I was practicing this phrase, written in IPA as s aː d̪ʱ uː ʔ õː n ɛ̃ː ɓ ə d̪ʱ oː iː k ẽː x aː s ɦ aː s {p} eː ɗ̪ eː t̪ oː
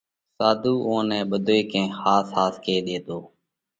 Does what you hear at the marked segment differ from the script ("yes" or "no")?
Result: yes